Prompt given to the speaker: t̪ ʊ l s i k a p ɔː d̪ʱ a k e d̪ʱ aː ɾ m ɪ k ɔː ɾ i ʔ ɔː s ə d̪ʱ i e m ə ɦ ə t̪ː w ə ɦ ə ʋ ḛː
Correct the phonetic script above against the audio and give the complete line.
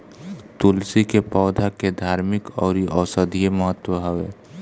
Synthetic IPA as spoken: t̪ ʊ l s i k e p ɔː d̪ʱ a k e d̪ʱ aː ɾ m ɪ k ɔː ɾ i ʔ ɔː s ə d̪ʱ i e m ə ɦ ə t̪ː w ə ɦ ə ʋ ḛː